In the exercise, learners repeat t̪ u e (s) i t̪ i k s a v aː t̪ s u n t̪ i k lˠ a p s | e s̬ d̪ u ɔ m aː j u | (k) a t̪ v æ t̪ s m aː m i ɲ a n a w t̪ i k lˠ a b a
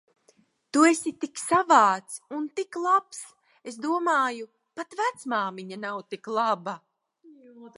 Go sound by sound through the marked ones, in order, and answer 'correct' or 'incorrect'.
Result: correct, incorrect

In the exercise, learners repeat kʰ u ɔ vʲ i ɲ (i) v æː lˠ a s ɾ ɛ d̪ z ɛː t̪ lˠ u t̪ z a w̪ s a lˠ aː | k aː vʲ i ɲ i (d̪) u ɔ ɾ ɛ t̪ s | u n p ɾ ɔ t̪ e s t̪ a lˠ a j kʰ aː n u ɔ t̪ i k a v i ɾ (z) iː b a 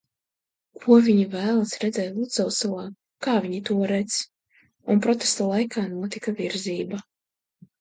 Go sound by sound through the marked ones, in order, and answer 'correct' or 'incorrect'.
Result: correct, incorrect, correct

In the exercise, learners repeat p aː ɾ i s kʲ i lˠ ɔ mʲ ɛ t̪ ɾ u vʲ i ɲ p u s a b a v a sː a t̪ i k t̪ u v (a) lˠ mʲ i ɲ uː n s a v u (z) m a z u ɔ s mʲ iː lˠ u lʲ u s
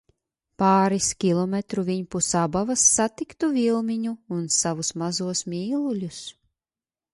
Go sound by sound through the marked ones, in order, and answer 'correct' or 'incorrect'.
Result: incorrect, incorrect

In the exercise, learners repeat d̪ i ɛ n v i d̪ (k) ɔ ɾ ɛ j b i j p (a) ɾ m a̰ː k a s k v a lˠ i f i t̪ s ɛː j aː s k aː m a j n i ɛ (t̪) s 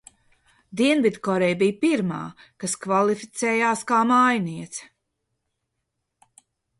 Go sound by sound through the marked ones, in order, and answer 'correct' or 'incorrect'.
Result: correct, incorrect, correct

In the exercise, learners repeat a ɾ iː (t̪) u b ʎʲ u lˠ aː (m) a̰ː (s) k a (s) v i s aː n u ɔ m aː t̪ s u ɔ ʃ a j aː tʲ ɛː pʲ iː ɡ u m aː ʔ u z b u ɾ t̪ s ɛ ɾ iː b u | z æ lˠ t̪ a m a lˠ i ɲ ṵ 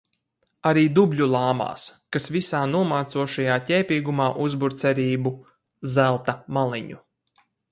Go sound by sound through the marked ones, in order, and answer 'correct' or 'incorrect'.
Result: incorrect, correct, correct, correct

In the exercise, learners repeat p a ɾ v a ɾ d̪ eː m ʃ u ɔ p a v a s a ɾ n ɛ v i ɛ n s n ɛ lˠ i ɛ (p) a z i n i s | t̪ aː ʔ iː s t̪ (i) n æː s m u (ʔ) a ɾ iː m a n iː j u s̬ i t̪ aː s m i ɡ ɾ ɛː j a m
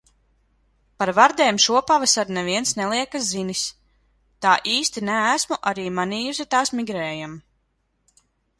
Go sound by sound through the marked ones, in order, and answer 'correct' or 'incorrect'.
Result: incorrect, correct, correct

